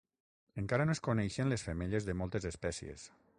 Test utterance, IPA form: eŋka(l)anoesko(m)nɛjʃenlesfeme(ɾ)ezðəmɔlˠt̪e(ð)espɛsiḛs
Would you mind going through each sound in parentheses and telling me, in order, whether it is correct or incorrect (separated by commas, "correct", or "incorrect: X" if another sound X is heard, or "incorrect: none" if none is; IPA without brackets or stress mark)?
incorrect: ɾ, incorrect: none, incorrect: ʎ, incorrect: z